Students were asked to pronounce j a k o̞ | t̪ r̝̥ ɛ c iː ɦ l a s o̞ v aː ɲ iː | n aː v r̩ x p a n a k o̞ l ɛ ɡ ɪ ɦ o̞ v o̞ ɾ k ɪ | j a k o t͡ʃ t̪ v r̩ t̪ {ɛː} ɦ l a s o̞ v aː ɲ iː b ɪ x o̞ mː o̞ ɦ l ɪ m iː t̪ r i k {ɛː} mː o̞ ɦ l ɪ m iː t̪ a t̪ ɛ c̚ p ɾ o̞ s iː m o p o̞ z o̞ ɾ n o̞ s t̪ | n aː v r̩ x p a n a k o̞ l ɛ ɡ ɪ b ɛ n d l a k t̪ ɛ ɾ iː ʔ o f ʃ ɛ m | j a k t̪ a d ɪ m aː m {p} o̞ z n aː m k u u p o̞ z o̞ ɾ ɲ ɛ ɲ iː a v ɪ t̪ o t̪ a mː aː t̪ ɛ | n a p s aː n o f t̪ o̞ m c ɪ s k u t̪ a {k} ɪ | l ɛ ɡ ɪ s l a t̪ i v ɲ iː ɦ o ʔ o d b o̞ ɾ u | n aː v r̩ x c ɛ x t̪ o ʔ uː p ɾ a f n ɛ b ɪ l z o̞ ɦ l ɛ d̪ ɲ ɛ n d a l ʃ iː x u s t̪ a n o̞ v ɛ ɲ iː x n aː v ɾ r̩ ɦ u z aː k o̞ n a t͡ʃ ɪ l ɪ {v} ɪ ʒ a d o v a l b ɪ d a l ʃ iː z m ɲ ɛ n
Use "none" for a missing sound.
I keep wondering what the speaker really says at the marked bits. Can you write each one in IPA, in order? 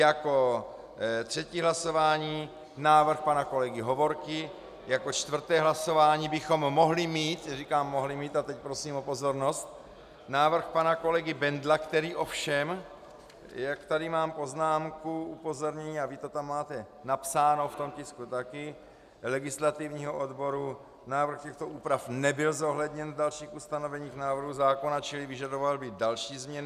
ɛː, aː, p, k, v

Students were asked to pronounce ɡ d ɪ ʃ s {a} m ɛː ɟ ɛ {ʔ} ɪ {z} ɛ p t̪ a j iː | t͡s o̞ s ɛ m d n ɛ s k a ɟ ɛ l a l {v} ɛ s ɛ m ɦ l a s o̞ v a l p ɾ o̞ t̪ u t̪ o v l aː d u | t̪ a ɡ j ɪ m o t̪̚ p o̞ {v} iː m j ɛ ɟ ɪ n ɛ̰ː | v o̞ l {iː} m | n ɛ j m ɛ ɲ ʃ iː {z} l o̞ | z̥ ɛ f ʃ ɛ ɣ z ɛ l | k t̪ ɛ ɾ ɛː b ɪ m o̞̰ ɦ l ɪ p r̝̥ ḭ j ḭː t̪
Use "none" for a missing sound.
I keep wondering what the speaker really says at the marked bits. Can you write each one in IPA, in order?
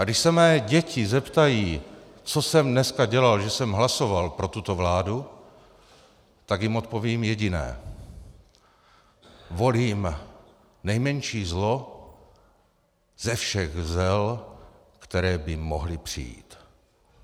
ɛ, c, z, ʒ, v, iː, z

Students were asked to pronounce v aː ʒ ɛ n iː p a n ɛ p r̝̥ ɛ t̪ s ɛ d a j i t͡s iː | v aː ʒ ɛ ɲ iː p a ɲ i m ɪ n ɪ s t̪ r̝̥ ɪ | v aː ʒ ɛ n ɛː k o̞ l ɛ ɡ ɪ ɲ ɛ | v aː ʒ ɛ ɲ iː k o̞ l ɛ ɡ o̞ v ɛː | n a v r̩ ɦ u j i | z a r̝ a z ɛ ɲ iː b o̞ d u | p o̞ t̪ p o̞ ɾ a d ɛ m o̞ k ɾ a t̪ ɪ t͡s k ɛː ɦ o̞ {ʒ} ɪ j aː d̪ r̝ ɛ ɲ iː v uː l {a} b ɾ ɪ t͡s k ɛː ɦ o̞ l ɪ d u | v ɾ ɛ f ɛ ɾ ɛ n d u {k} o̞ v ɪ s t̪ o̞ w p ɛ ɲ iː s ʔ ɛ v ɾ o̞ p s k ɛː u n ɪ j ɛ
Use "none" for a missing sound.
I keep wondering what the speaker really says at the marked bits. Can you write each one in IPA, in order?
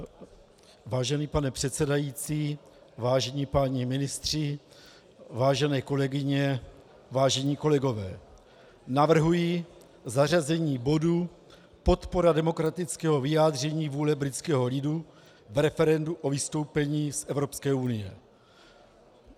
v, ɛ, ʔ

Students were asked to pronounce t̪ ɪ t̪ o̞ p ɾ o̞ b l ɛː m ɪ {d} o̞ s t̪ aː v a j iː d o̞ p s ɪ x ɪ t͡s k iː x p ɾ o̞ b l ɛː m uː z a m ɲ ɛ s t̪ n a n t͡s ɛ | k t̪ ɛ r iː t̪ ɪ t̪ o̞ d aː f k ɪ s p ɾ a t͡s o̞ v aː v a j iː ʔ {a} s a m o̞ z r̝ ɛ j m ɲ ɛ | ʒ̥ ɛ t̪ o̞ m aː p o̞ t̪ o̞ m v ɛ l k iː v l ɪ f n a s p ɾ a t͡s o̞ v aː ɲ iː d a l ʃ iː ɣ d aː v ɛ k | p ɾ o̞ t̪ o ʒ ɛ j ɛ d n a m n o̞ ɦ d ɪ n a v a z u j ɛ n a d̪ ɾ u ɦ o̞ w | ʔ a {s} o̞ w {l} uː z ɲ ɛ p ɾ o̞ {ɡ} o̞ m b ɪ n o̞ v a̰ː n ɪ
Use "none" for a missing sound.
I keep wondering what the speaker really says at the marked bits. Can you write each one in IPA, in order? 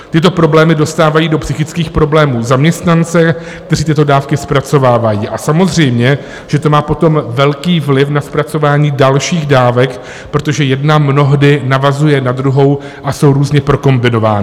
d, a, s, ɾ, k

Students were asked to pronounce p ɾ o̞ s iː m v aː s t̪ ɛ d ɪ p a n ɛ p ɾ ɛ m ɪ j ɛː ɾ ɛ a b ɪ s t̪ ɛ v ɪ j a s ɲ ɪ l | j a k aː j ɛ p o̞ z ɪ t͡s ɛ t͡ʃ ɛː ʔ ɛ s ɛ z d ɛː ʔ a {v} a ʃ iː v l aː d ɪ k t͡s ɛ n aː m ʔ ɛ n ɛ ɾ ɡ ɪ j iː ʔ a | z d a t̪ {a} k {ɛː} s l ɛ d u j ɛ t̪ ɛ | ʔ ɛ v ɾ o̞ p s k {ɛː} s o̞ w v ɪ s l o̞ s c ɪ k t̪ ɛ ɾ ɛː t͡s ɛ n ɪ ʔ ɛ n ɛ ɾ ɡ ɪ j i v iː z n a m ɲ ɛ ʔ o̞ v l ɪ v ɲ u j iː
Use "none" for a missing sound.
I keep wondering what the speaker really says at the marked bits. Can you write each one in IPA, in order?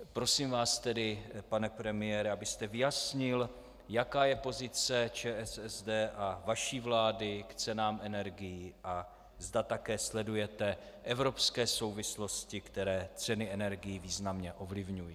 v, a, ɛː, ɛː

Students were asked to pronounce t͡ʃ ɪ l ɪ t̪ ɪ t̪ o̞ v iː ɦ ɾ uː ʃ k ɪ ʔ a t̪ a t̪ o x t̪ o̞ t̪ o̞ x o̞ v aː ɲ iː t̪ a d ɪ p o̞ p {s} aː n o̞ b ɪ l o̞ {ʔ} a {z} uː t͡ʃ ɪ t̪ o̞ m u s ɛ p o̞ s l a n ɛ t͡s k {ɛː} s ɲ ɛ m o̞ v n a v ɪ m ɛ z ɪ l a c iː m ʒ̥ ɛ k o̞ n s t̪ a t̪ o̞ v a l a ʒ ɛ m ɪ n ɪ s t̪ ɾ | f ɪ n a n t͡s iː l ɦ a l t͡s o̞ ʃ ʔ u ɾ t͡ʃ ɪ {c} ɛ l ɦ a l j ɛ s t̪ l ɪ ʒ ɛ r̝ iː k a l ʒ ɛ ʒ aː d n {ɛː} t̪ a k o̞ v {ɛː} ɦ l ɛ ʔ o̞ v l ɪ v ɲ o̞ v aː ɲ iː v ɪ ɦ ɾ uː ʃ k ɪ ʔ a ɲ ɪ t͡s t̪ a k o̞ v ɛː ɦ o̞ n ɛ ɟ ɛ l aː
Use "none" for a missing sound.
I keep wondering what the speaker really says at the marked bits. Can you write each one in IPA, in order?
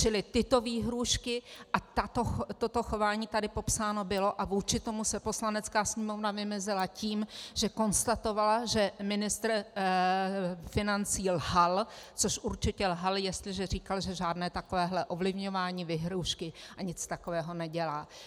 s, ʔ, v, aː, c, ɛː, ɛː

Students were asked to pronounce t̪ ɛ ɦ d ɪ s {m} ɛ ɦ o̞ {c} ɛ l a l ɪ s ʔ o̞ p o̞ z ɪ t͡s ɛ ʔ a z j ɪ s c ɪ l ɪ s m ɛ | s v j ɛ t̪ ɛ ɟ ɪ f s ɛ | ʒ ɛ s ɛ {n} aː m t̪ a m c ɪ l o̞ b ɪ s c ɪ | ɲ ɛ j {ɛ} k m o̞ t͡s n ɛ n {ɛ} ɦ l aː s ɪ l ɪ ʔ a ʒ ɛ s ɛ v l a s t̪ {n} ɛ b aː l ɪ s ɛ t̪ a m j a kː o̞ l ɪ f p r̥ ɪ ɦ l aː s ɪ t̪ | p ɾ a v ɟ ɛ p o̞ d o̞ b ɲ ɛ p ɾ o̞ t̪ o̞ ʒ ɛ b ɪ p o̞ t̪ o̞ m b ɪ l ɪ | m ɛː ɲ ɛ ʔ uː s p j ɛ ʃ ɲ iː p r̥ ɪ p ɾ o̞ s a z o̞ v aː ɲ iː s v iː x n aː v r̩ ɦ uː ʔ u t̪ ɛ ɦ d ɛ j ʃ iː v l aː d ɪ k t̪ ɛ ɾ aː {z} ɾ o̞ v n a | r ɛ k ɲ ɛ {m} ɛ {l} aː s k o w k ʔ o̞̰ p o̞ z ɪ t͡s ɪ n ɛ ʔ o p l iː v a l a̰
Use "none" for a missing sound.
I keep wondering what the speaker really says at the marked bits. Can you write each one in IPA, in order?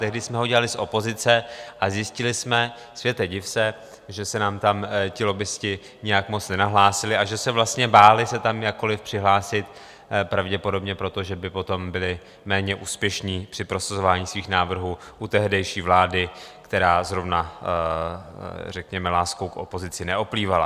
m, ɟ, n, a, a, ɲ, z, m, l

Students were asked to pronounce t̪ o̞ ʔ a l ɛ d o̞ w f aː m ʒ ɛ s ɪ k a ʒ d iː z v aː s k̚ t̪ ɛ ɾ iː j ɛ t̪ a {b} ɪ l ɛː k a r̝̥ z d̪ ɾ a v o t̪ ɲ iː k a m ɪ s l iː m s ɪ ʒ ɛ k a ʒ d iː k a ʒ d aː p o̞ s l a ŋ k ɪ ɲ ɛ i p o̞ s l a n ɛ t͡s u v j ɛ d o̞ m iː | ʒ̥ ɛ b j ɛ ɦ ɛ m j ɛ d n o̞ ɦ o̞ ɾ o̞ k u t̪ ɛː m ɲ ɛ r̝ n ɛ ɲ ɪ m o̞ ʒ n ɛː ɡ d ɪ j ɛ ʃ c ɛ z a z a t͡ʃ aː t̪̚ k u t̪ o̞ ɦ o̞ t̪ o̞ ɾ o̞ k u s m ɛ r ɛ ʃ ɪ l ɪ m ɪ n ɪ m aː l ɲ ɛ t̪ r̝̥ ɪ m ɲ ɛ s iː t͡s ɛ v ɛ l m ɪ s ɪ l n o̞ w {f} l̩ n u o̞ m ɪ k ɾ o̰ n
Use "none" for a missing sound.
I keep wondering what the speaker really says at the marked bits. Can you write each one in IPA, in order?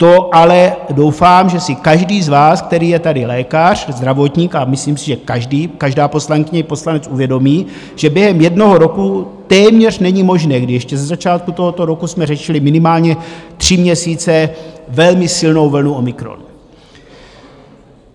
d, v

